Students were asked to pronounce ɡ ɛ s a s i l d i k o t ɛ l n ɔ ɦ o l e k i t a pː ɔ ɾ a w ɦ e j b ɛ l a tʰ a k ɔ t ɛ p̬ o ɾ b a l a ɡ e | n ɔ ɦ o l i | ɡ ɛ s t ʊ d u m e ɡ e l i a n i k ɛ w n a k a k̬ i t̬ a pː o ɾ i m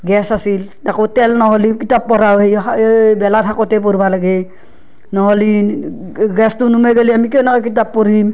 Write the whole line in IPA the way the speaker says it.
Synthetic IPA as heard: ɡ ɛ s a s i l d a k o t ɛ l n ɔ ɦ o l i k i t a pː ɔ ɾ a w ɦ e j b ɛ l a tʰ a k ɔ t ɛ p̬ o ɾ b a l a ɡ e | n ɔ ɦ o l i | ɡ ɛ s t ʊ n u m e ɡ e l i a m i k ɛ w n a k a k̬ i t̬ a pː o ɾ i m